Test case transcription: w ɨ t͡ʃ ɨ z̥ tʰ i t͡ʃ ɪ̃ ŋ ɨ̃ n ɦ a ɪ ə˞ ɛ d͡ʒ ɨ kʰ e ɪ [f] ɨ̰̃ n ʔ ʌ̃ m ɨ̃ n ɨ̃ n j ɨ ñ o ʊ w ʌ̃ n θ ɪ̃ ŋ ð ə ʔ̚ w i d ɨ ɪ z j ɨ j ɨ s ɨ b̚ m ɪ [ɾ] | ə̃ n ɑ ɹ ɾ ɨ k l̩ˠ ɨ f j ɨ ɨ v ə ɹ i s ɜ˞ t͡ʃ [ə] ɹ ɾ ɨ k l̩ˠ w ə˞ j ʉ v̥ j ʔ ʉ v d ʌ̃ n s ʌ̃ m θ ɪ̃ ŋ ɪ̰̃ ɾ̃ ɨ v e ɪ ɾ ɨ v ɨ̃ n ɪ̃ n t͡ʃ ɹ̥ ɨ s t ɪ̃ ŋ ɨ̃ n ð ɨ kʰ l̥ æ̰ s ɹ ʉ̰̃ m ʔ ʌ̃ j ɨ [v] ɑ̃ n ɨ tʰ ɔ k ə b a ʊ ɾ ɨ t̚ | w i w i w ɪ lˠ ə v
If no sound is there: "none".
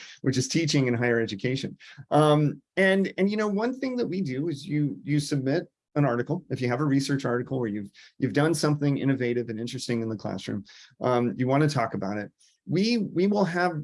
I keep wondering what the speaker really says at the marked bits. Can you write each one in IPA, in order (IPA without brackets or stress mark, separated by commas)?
ʃ, ɾ, ɑ, w